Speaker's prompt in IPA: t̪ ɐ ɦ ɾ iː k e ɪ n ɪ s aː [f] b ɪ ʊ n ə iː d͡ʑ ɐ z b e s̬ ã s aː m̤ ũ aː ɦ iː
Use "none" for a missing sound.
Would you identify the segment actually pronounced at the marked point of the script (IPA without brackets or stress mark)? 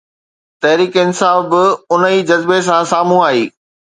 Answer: f